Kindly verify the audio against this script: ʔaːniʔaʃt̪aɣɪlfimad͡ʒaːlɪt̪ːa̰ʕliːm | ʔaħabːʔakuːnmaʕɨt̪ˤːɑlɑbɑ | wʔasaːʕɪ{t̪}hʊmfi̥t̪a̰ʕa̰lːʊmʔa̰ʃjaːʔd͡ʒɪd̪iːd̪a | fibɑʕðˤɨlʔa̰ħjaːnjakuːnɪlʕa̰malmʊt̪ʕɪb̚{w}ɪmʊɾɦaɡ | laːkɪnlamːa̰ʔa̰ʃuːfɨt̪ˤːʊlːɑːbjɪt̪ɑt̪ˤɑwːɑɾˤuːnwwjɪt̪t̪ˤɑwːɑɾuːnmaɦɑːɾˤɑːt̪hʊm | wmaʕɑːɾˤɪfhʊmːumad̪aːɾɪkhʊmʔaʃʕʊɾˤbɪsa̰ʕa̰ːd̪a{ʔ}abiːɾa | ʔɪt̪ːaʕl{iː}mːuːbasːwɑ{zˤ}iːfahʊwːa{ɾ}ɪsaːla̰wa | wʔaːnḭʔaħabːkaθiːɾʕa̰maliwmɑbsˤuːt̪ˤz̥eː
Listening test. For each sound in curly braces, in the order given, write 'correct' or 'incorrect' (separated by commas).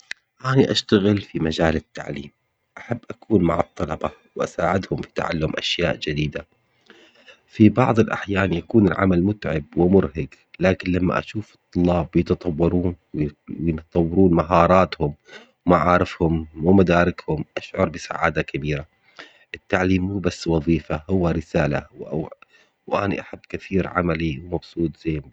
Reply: incorrect, correct, incorrect, correct, incorrect, correct